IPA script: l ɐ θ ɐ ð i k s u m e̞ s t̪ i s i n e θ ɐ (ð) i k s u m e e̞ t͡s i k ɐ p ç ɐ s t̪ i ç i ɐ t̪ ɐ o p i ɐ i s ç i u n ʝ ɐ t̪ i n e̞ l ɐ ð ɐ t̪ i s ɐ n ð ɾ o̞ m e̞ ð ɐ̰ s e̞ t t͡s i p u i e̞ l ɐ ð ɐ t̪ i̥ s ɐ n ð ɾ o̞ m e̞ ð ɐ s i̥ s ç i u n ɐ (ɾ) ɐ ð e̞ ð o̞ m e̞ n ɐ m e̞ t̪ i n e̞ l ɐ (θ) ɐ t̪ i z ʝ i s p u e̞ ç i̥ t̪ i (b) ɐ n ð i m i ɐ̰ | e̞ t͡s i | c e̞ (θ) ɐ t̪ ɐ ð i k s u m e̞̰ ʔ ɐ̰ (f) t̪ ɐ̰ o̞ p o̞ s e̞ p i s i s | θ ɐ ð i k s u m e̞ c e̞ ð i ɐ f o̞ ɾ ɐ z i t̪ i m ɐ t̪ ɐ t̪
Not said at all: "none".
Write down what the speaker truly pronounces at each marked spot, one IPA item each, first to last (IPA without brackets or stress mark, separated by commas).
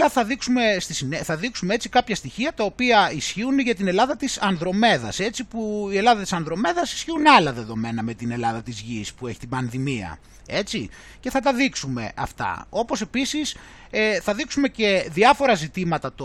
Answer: ð, l, ð, b, θ, f